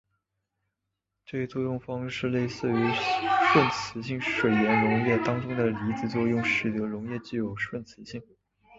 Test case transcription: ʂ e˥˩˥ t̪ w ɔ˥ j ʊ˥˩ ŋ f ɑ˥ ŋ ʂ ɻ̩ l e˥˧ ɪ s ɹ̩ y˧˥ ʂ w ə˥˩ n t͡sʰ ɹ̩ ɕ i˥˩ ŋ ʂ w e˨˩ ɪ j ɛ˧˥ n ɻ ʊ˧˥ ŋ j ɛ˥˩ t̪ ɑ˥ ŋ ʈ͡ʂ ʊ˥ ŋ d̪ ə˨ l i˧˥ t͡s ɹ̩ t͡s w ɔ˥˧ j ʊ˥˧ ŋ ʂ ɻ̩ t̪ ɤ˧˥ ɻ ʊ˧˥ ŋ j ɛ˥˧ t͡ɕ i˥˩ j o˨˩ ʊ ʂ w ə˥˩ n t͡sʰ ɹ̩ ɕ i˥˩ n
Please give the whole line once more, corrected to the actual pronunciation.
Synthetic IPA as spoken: ʈ͡ʂ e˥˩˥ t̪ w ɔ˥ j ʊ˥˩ ŋ f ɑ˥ ŋ ʂ ɻ̩ l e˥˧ ɪ s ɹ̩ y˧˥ ʂ w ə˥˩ n t͡sʰ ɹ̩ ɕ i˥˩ ŋ ʂ w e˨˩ ɪ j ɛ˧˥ n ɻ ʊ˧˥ ŋ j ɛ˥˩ t̪ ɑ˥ ŋ ʈ͡ʂ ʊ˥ ŋ d̪ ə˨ l i˧˥ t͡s ɹ̩ t͡s w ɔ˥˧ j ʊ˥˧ ŋ ʂ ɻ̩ t̪ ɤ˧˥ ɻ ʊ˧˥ ŋ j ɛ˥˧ t͡ɕ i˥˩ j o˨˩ ʊ ʂ w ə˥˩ n t͡sʰ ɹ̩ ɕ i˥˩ ŋ